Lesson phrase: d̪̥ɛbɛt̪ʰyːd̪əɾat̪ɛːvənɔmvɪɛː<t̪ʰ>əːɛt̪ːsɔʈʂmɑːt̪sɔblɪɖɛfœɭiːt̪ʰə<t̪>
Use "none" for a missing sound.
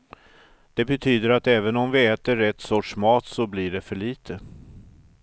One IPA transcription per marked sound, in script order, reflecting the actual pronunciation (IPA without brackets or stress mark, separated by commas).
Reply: t̪, none